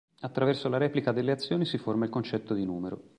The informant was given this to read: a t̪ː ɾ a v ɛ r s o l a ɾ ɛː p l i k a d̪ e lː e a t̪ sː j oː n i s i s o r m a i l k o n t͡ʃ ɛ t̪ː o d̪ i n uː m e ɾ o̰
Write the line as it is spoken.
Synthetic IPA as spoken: a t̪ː ɾ a v ɛ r s o l a ɾ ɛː p l i k a d̪ e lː e a t̪ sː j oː n i s i f o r m a i l k o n t͡ʃ ɛ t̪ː o d̪ i n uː m e ɾ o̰